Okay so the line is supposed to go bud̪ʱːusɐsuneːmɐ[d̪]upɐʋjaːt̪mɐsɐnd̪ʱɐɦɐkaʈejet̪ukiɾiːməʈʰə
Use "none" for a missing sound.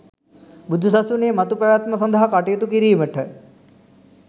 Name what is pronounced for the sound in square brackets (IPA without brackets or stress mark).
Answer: t̪